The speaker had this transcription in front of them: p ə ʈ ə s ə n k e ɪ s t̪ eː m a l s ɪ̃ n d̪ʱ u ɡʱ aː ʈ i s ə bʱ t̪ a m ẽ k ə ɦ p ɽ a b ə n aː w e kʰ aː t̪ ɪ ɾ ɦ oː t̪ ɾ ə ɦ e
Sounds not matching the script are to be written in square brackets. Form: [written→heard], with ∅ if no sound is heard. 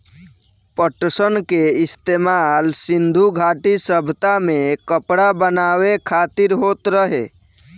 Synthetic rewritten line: p ə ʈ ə s ə n k e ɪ s t̪ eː m a l s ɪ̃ n d̪ʱ u ɡʱ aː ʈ i s ə bʱ t̪ a m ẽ k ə [ɦ→∅] p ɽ a b ə n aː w e kʰ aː t̪ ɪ ɾ ɦ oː t̪ ɾ ə ɦ e